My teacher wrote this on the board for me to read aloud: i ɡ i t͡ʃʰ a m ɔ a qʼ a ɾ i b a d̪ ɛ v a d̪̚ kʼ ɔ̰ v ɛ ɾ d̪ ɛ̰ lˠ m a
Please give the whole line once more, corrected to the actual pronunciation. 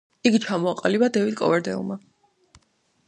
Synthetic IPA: i ɡ i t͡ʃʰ a m ɔ a qʼ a l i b a d̪ ɛ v i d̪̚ kʼ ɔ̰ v ɛ ɾ d̪ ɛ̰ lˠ m a